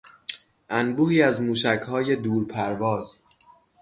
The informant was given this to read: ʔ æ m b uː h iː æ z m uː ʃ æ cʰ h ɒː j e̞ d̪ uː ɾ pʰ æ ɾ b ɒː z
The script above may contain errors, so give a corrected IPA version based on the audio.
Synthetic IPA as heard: ʔ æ n b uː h iː æ z m uː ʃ æ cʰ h ɒː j e̞ d̪ uː ɾ pʰ æ ɾ v ɒː z